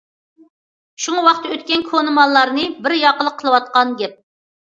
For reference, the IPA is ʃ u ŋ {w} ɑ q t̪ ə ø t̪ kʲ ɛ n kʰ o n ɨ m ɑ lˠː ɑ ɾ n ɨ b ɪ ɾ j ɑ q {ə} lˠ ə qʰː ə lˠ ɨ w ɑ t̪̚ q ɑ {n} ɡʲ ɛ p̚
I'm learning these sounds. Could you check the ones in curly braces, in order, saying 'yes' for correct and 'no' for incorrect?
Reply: yes, yes, yes

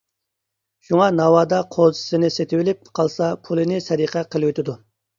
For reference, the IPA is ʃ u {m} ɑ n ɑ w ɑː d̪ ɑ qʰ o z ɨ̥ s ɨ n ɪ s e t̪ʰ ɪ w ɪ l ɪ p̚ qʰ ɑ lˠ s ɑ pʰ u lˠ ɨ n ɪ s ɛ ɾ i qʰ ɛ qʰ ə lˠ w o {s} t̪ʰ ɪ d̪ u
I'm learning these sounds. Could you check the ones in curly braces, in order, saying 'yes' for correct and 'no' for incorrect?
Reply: no, no

